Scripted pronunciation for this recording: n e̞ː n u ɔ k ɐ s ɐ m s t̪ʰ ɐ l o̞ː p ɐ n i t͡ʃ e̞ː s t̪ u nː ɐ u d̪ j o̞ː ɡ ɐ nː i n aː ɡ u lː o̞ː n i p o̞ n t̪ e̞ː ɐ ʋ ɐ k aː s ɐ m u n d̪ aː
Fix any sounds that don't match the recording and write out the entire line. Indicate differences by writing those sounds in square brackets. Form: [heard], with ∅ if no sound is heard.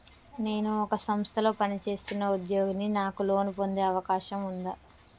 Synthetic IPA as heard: n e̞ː n u ɔ k ɐ s ɐ m s t̪ʰ ɐ l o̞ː p ɐ n i t͡ʃ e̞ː s t̪ u nː ɐ u d̪ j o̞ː ɡ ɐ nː i n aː [k] u [l] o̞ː n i p o̞ n [d̪] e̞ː ɐ ʋ ɐ k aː [ʃ] ɐ m u n d̪ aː